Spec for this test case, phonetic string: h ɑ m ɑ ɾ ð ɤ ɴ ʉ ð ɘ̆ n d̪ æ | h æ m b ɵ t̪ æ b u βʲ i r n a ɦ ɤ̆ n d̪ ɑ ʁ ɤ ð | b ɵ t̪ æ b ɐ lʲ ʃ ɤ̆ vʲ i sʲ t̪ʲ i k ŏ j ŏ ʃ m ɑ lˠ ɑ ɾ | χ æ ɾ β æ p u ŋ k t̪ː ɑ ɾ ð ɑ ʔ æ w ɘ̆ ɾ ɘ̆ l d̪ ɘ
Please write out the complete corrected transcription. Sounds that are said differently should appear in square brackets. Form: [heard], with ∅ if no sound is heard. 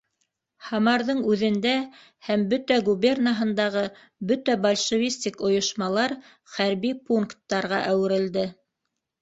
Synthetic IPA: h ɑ m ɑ ɾ ð ɤ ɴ ʉ ð ɘ̆ n d̪ æ | h æ m b ɵ t̪ æ [ɡ] u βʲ [e] r n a ɦ ɤ̆ n d̪ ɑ ʁ ɤ [∅] | b ɵ t̪ æ b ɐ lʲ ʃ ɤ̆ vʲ i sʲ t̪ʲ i k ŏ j ŏ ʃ m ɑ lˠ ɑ ɾ | χ æ ɾ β [i] p u ŋ k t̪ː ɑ ɾ [ʁ] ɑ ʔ æ w ɘ̆ ɾ ɘ̆ l d̪ ɘ